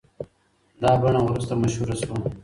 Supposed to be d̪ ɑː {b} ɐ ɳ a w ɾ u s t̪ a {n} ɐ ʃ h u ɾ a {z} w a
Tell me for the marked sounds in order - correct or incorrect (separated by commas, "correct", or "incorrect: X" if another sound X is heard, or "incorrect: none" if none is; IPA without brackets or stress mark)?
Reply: correct, incorrect: m, incorrect: s